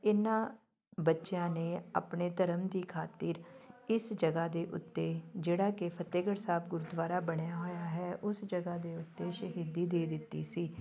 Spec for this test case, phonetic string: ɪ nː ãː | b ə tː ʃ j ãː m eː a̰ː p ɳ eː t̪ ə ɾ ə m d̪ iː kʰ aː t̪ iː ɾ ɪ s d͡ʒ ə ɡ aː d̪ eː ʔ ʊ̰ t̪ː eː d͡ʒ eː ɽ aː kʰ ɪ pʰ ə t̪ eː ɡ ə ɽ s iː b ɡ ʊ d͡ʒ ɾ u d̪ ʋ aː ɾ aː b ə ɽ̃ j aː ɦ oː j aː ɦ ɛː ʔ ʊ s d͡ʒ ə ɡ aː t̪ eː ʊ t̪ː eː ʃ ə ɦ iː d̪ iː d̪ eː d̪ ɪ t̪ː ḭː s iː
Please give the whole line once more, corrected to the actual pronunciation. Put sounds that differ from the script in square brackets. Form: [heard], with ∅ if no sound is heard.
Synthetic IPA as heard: ɪ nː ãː | b ə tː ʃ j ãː [n] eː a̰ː p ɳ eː t̪ ə ɾ ə m d̪ iː kʰ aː t̪ iː ɾ ɪ s d͡ʒ ə ɡ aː d̪ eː ʔ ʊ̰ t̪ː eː d͡ʒ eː ɽ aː [k] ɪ pʰ ə t̪ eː ɡ ə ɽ s [aː] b ɡ ʊ [∅] ɾ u d̪ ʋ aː ɾ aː b ə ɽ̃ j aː ɦ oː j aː ɦ ɛː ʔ ʊ s d͡ʒ ə ɡ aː [d̪] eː ʊ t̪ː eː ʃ ə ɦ iː d̪ iː d̪ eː d̪ ɪ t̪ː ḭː s iː